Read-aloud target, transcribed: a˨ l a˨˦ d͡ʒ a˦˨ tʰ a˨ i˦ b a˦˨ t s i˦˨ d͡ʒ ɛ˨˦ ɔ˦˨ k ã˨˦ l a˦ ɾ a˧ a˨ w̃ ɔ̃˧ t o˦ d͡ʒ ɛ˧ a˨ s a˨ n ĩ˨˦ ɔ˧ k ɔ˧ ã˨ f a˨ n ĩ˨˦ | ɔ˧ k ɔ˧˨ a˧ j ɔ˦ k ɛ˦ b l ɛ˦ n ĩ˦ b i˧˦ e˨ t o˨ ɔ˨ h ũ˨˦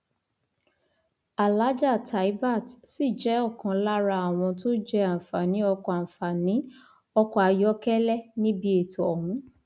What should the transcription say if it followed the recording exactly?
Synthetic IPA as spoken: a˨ l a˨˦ d͡ʒ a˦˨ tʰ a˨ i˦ b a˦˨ t s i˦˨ d͡ʒ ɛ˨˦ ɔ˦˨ k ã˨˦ l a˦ ɾ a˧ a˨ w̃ ɔ̃˧ t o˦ d͡ʒ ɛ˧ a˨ f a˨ n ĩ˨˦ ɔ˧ k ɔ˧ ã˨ f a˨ n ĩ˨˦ | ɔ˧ k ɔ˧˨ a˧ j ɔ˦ k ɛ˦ l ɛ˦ n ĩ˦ b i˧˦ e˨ t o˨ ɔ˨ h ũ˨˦

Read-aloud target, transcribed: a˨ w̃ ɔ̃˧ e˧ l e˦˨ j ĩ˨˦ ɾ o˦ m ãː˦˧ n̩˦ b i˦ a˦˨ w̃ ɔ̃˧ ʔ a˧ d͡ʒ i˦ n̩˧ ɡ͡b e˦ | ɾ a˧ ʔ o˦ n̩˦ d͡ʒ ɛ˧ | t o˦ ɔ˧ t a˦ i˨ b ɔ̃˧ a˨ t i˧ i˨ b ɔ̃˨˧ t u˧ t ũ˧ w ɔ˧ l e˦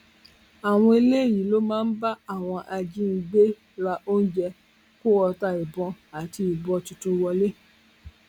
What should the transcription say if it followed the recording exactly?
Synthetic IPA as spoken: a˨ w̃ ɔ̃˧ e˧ l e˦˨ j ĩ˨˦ l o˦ m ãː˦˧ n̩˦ b a˦ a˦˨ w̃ ɔ̃˧ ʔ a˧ d͡ʒ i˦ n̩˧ ɡ͡b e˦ | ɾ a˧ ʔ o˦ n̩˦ d͡ʒ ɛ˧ | k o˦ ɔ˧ t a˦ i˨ b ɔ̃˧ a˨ t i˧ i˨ b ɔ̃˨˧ t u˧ t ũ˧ w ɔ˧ l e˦

